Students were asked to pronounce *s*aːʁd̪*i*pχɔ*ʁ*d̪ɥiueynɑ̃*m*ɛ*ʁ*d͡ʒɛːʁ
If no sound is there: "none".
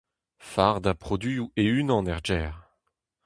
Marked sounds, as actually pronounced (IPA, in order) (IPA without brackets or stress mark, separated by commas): f, a, none, n, ʁ